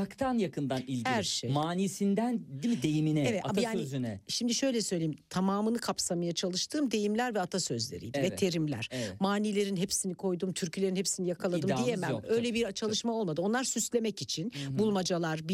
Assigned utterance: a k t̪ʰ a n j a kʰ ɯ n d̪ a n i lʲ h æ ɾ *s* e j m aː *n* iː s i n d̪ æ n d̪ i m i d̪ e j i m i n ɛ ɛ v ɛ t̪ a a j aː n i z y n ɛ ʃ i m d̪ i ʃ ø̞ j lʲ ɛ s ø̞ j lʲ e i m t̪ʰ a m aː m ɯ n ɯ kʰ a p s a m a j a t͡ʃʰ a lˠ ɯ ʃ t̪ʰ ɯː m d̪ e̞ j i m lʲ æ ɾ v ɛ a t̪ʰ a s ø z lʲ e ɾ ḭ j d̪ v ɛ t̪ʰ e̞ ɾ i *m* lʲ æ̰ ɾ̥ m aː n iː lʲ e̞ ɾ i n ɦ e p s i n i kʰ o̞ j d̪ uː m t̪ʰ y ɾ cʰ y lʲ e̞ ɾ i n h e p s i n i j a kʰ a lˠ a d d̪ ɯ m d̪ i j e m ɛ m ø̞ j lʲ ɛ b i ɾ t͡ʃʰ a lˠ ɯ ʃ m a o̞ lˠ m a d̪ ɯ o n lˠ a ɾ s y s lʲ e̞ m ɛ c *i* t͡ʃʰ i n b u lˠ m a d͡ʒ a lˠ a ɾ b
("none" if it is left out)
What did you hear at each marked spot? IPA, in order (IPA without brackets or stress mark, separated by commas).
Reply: ʃ, n, m, i